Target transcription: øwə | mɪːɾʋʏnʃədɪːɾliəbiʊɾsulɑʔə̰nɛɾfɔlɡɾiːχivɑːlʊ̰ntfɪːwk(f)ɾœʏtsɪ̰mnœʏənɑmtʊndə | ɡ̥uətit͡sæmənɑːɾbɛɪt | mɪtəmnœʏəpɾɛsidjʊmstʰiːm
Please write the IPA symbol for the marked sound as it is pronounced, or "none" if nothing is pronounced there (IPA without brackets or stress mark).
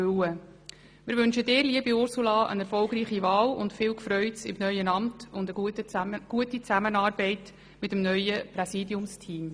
f